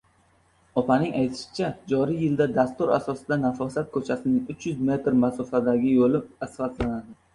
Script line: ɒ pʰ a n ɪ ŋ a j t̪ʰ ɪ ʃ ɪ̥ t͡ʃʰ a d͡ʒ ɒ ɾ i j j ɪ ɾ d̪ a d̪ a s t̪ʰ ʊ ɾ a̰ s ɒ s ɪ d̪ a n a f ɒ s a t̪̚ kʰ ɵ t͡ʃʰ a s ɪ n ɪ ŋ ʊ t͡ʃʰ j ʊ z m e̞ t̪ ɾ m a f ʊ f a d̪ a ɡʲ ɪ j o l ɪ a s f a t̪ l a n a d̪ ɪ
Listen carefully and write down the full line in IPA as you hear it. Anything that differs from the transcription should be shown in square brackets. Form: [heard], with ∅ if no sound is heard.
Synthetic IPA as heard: ɒ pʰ a n ɪ ŋ a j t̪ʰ ɪ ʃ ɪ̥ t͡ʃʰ a d͡ʒ ɒ ɾ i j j ɪ [l] d̪ a d̪ a s [t̪] ʊ ɾ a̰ s ɒ s ɪ d̪ a n a f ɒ s a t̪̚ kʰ ɵ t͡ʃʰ a s ɪ n ɪ ŋ ʊ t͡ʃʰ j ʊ z m e̞ t̪ ɾ m a [s] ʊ f a d̪ a ɡʲ ɪ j o l ɪ a s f a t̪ l a n a d̪ ɪ